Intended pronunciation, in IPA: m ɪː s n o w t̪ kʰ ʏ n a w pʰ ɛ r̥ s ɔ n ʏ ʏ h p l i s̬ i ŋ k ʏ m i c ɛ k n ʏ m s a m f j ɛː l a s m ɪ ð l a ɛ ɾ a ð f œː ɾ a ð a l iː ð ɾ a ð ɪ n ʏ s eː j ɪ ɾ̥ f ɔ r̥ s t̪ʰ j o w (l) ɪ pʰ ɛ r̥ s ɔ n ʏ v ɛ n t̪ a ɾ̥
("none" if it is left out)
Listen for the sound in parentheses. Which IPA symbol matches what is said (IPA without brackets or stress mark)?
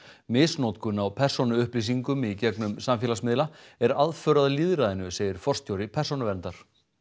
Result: ɾ